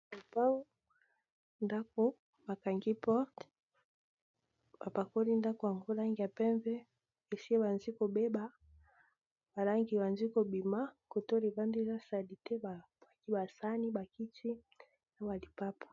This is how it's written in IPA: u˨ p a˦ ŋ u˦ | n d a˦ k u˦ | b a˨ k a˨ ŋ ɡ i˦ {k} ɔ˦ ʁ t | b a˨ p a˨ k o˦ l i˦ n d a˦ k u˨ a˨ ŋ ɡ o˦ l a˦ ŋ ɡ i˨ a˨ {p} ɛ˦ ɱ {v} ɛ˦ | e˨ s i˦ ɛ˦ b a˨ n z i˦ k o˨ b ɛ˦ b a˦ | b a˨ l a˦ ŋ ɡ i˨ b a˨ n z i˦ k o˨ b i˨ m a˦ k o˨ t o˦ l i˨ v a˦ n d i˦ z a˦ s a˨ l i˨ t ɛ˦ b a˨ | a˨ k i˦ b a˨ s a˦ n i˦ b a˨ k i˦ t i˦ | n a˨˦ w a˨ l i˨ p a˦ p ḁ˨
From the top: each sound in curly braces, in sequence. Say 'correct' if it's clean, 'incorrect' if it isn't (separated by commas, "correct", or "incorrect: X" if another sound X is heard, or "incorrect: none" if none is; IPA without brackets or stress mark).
incorrect: p, correct, correct